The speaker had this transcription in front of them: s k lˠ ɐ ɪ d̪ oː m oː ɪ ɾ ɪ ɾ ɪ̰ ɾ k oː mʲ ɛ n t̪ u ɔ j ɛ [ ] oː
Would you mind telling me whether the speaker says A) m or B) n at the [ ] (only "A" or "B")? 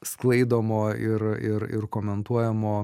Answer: A